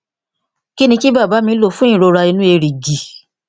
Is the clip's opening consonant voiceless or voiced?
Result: voiceless